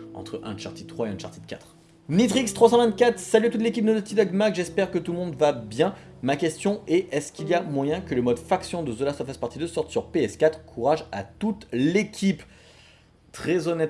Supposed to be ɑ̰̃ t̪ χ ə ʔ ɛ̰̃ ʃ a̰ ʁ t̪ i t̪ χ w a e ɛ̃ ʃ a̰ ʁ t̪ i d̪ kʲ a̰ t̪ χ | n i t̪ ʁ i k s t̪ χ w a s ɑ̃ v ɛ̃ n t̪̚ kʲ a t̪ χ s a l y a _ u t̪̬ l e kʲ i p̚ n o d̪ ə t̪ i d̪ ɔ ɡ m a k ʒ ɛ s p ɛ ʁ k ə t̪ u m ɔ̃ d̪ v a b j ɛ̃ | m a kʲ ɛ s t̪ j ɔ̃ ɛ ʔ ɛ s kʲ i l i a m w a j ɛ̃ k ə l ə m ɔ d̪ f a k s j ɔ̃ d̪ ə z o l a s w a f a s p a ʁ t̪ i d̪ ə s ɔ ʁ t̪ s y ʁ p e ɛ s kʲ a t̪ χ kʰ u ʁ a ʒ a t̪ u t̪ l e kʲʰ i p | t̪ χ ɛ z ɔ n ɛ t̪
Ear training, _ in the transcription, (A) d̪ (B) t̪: B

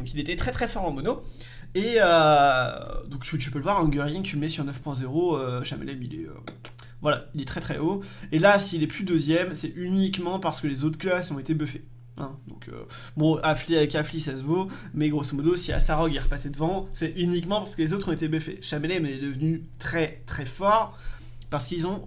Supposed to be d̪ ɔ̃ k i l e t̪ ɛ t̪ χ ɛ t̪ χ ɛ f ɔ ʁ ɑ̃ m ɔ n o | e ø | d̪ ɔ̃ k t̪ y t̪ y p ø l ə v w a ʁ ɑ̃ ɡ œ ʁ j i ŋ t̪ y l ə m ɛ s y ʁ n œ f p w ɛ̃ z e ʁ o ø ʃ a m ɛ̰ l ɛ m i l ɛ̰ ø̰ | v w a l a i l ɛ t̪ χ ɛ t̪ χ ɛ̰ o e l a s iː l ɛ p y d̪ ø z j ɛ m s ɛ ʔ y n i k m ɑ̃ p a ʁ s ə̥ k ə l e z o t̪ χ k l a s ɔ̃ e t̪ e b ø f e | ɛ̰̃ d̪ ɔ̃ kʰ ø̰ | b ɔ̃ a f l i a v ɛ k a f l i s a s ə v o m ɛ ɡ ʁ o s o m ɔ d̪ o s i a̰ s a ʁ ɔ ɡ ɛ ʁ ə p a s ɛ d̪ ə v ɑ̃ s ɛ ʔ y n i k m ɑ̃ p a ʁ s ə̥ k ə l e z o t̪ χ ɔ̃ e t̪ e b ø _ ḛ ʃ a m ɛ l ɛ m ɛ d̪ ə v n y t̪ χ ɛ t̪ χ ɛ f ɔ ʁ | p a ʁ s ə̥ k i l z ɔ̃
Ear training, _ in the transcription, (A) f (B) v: A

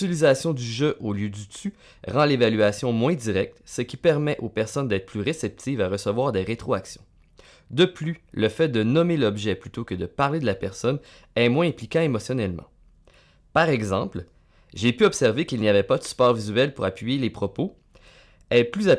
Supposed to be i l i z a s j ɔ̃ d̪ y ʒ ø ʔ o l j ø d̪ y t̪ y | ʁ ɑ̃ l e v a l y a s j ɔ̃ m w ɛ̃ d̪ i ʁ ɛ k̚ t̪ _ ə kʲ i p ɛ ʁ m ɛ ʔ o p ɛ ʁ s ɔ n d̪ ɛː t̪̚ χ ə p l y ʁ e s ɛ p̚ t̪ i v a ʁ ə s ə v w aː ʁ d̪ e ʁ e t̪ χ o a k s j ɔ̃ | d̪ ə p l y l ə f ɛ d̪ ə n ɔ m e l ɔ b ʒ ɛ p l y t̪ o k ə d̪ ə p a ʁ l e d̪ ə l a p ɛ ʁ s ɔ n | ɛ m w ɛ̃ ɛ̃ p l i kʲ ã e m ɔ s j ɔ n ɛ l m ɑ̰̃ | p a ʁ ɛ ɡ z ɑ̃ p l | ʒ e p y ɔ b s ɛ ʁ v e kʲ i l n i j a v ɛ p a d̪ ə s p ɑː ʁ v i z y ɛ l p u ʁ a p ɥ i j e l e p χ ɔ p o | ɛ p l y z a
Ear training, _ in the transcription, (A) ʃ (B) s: B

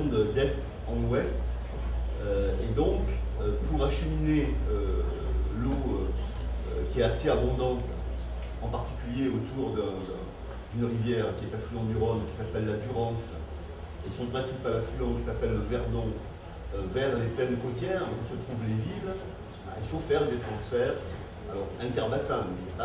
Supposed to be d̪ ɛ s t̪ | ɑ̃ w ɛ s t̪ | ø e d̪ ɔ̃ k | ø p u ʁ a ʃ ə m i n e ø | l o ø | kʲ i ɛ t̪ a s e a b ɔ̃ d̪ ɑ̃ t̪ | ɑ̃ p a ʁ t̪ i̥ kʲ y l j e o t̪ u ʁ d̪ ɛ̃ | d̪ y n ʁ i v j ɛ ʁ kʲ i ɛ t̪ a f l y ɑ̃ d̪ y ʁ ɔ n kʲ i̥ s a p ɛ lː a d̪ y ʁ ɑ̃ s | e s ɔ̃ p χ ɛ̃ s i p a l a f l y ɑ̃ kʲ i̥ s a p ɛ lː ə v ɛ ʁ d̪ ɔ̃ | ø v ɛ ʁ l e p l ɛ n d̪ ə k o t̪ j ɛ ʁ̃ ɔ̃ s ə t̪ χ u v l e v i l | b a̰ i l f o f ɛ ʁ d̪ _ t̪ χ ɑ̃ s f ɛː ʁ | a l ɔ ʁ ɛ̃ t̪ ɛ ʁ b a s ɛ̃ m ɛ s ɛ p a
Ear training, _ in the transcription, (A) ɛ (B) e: B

